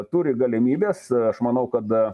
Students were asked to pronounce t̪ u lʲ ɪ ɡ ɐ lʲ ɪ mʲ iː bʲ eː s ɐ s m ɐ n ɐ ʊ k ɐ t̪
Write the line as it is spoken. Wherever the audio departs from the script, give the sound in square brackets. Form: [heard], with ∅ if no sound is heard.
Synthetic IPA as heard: t̪ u [ɾʲ] ɪ ɡ ɐ lʲ ɪ mʲ iː bʲ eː s ɐ [ʃ] m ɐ n ɐ ʊ k ɐ t̪